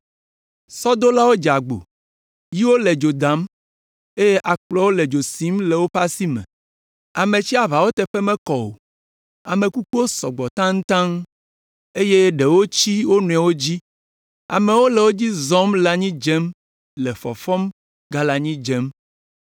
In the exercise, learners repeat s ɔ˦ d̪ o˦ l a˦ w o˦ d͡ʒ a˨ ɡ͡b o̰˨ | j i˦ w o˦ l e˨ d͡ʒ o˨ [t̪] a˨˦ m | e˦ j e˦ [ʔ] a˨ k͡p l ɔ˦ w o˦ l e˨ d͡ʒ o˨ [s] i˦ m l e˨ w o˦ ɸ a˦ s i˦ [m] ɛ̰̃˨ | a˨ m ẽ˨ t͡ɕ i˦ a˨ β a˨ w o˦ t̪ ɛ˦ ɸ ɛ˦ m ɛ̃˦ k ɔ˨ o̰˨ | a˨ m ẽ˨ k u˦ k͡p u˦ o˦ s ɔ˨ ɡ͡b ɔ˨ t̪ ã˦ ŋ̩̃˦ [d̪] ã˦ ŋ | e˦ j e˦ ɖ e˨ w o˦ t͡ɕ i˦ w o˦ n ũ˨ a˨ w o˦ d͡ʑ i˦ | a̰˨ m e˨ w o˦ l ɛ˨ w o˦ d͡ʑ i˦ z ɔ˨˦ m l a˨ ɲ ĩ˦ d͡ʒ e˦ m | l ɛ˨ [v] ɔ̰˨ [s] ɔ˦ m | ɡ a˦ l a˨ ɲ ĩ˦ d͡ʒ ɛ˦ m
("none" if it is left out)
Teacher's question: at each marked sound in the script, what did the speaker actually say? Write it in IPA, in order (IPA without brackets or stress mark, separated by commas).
d̪, ʔ, s, m, t̪, f, f